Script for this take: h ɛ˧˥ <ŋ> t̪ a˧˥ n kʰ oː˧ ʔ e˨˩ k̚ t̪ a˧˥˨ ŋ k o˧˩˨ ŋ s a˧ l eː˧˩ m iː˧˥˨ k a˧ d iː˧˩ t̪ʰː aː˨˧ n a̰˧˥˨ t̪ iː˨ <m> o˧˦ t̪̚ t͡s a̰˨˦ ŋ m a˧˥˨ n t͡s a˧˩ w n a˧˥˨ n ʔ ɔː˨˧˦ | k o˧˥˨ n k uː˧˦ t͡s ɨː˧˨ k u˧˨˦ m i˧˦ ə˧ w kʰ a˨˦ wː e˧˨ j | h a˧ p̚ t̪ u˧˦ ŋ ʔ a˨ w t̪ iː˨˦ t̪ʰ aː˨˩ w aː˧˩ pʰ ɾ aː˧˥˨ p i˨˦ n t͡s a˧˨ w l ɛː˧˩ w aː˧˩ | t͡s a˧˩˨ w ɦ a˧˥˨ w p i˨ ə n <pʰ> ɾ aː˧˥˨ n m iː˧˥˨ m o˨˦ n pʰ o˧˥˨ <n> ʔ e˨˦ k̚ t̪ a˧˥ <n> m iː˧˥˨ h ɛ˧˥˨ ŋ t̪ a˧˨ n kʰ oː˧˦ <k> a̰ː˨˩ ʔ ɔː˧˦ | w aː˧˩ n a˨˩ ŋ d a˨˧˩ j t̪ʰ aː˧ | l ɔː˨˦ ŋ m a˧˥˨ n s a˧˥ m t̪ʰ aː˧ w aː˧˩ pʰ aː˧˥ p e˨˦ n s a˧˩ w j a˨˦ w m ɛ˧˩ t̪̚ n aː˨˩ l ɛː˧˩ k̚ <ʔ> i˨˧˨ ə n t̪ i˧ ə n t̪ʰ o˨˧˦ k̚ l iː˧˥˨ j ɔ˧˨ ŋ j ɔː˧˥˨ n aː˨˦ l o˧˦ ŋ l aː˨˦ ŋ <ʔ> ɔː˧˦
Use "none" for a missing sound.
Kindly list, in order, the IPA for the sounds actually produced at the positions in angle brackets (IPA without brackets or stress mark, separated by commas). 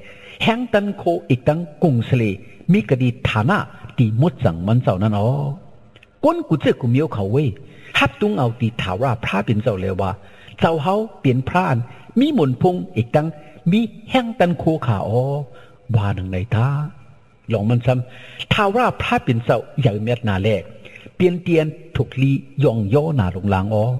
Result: ŋ, m, pʰ, ŋ, ŋ, kʰ, p, ʔ